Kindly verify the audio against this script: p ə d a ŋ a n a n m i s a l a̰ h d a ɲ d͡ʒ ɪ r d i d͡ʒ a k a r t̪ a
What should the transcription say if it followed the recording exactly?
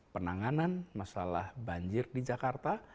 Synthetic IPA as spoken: p ə n a ŋ a n a n m a s a l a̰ h b a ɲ d͡ʒ ɪ r d i d͡ʒ a k a r t̪ a